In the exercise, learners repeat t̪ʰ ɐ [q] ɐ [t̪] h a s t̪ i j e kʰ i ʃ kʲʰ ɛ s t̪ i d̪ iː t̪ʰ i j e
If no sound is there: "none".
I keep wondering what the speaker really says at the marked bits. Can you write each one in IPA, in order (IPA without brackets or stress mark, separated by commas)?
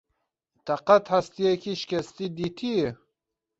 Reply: q, t̪